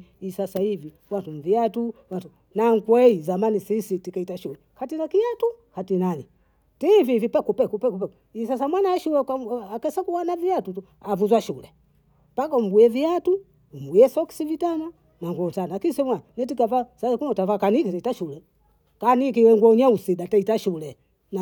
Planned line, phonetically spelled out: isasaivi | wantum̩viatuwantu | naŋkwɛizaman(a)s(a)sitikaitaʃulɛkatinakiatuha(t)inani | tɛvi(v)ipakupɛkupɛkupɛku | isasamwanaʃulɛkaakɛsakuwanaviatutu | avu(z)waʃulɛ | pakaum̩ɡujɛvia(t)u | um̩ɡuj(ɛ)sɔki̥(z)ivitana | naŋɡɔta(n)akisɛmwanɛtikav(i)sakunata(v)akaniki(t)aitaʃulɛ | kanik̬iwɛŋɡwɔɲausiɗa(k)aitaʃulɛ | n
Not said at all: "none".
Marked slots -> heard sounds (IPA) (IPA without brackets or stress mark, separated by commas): i, i, t, v, z, t, ɛ, s, n, a, v, t, t